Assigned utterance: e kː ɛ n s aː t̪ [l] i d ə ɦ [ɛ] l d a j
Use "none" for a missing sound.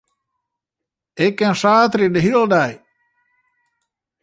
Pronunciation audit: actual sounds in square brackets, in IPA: ɾ, i

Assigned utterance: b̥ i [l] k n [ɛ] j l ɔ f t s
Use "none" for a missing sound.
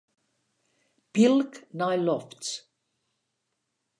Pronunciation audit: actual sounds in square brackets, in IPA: l, a

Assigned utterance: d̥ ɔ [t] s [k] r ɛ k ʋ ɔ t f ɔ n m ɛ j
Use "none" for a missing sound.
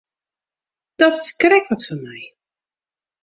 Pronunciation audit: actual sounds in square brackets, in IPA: t, k

